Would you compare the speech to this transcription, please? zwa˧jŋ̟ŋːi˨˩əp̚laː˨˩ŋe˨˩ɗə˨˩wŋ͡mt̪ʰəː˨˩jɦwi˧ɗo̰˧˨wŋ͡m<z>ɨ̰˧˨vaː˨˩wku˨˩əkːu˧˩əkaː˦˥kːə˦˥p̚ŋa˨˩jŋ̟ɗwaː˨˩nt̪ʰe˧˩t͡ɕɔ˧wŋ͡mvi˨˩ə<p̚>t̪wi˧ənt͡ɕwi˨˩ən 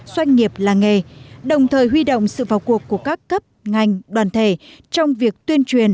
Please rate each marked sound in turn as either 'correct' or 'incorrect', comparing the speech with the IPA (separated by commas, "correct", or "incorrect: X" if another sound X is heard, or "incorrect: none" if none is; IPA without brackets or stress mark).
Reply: incorrect: s, incorrect: k̚